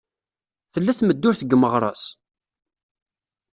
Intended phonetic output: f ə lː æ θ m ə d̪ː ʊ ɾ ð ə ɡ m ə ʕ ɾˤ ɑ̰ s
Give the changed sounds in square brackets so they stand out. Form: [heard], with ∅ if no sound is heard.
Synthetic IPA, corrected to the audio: [θ] ə lː æ θ m ə d̪ː ʊ ɾ [θ] ə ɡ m ə [ʁ] ɾˤ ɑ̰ s